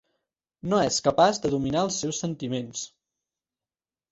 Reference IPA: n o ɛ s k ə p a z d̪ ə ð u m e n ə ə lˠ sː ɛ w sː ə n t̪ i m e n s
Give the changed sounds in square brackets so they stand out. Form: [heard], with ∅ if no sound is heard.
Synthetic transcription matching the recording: n o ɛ s k ə p a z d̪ ə ð u m [i] n [a] ə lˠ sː ɛ w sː ə n t̪ i m e n s